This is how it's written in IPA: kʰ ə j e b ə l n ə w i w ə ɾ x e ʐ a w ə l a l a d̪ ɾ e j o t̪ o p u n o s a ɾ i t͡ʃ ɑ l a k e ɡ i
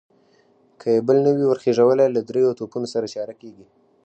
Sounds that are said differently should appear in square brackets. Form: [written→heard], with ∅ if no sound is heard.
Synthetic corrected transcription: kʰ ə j e b ə l n ə w i w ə ɾ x e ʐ a w ə l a l a d̪ ɾ e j o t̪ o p u n o s a ɾ [i→a] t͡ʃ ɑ [l→ɾ] a k e ɡ i